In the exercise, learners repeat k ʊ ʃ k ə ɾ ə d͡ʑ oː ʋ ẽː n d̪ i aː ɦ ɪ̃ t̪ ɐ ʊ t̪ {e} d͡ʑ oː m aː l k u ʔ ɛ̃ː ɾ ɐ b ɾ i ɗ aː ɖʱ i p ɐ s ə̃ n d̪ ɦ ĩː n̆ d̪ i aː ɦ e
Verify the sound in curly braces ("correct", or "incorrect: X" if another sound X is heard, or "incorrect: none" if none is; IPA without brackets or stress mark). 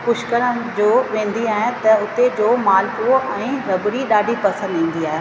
correct